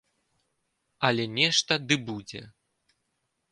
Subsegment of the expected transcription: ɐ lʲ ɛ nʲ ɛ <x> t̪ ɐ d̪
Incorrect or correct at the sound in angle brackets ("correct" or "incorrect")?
incorrect